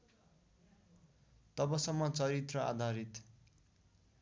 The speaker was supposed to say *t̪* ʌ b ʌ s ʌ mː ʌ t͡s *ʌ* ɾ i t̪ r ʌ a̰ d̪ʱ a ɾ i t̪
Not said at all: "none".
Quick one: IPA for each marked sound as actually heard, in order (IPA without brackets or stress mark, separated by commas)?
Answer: t̪, ʌ